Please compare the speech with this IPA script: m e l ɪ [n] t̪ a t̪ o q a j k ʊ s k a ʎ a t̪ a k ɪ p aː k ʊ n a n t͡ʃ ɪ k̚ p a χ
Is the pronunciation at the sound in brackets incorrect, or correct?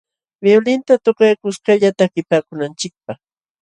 correct